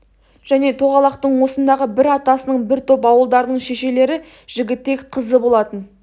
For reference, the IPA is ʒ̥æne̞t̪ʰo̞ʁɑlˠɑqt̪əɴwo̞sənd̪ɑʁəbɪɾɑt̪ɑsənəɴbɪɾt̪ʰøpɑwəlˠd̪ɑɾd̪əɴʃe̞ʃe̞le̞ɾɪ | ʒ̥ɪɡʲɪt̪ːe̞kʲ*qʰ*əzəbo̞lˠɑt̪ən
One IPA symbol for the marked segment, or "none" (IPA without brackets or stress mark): qʰ